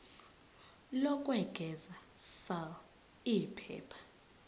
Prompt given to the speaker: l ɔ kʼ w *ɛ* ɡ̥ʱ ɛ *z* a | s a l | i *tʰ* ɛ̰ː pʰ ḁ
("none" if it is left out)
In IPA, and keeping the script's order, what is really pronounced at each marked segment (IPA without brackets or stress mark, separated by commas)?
ɛ, z, pʰ